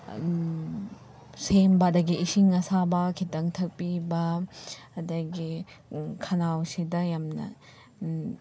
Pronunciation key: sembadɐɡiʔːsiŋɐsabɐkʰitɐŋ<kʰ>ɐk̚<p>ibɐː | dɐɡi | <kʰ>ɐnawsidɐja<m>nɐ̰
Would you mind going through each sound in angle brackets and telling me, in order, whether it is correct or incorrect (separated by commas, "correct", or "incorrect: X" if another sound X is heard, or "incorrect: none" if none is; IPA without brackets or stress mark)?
incorrect: tʰ, correct, correct, correct